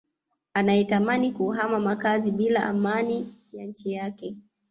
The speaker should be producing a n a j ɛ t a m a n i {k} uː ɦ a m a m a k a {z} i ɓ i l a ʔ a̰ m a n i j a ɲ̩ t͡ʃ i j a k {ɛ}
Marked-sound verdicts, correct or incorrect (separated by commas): correct, correct, correct